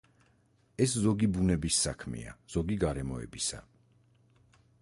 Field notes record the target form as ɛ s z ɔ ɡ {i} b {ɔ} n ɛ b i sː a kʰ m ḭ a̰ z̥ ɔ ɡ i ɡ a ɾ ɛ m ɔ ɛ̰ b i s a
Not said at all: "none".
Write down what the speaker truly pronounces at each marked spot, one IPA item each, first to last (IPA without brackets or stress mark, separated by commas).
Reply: i, u